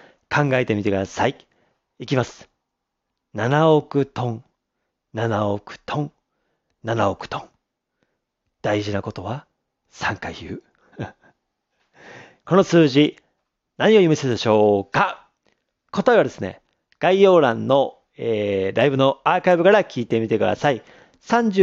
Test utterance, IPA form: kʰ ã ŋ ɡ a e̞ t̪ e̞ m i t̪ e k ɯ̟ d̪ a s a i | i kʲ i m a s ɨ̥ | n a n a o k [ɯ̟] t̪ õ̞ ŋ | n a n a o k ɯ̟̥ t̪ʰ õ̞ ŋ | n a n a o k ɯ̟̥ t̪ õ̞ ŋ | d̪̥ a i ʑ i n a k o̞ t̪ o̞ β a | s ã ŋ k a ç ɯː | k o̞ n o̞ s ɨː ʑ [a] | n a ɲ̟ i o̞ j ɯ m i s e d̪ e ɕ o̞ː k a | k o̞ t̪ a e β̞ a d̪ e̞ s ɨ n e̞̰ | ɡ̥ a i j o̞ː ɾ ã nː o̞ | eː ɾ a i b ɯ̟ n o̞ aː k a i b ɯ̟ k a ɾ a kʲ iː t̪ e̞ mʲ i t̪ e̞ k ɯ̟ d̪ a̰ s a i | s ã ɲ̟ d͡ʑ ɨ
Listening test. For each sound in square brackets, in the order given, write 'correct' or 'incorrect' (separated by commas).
correct, incorrect